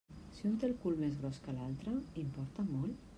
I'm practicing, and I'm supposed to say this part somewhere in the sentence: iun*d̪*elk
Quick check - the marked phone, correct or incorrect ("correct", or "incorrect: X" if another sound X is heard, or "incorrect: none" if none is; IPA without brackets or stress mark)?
incorrect: t̪